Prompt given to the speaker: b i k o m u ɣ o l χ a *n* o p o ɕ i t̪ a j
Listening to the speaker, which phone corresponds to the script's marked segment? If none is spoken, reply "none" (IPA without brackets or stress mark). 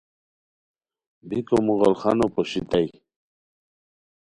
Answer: n